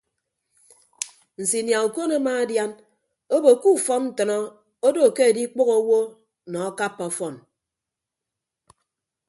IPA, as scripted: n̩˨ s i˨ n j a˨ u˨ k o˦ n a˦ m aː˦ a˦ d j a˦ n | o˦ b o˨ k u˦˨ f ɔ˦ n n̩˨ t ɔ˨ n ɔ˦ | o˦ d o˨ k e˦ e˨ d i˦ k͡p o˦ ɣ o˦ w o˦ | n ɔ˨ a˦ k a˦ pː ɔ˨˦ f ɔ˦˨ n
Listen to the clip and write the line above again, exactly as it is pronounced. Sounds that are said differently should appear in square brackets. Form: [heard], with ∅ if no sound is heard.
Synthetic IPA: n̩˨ s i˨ n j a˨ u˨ k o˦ n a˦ m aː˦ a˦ d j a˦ n | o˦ b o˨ k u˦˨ f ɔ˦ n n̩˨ t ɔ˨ n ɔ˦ | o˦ d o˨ k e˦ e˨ d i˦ k͡p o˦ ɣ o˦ w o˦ | n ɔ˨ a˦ k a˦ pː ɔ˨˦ f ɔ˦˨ n